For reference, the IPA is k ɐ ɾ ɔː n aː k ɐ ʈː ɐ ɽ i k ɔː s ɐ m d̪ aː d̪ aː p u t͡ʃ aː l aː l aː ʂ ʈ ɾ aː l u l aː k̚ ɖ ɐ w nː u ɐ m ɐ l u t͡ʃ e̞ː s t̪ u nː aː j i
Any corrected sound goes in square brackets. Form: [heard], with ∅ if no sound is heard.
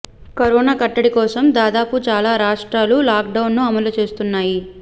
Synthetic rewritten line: k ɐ ɾ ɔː n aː k ɐ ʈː ɐ ɽ i k ɔː s ɐ m d̪ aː d̪ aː p u t͡ʃ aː l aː [ɾ] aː ʂ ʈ ɾ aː l u l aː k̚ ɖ ɐ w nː u ɐ m ɐ l u t͡ʃ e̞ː s t̪ u nː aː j i